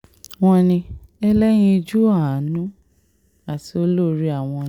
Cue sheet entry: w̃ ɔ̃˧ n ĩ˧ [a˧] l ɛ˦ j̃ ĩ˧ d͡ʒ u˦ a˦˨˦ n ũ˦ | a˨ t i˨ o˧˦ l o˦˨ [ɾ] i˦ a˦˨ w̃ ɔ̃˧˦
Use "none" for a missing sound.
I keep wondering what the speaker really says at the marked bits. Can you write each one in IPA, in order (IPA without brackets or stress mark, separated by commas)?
ɛ˧, ɾ